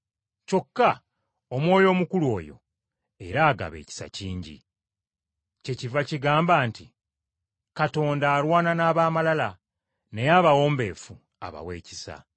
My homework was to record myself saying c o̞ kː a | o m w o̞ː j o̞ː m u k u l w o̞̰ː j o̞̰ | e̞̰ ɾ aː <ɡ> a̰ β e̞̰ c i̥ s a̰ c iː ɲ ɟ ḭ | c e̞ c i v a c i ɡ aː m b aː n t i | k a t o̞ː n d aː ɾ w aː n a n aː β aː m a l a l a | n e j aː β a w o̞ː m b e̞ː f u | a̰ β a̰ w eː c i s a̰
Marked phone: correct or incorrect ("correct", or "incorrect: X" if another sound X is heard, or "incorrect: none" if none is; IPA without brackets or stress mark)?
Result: correct